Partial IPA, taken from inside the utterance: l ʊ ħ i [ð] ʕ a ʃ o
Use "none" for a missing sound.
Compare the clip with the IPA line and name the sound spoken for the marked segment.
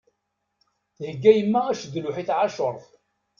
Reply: θ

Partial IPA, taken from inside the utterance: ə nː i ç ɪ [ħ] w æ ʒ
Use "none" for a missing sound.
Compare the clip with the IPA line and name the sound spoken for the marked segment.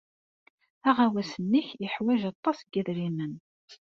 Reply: ħ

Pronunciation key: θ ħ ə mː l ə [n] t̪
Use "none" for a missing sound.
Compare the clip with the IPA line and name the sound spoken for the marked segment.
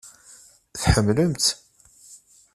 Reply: m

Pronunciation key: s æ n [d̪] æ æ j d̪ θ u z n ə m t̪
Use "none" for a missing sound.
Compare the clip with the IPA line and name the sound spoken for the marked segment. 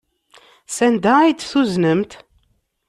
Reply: d̪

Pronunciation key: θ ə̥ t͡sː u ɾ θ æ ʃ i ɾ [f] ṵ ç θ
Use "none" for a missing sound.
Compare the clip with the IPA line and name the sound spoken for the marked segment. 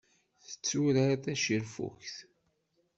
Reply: f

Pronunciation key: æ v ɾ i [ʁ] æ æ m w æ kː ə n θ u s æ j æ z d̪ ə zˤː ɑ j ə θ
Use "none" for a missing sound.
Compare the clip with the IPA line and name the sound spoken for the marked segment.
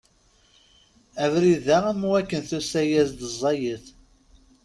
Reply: ð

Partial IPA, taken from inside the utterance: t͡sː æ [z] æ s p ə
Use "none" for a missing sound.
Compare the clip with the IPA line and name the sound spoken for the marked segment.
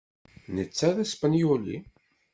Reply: ð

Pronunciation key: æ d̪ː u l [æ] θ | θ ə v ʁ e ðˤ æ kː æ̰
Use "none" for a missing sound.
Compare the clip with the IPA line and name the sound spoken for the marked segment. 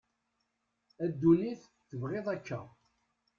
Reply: i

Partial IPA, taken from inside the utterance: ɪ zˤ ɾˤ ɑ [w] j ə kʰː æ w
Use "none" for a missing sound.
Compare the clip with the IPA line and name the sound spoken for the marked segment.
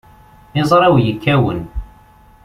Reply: w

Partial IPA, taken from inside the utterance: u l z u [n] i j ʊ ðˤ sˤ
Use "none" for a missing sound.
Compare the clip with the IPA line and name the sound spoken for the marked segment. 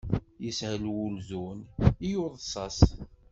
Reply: n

